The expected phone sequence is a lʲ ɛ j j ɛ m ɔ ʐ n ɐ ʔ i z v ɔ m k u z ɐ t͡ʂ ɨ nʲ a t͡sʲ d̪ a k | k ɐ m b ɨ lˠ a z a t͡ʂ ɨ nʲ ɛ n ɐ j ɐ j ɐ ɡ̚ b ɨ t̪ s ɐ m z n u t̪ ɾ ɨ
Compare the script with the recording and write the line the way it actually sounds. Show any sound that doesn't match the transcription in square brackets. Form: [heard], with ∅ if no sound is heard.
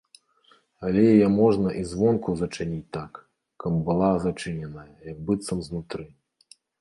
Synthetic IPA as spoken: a lʲ ɛ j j ɛ m ɔ ʐ n ɐ ʔ i z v ɔ [n] k u z ɐ t͡ʂ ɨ nʲ [i] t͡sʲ [t̪] a k | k ɐ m b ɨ lˠ a z a t͡ʂ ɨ nʲ ɛ n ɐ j ɐ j ɐ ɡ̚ b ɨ t̪ s ɐ m z n u t̪ ɾ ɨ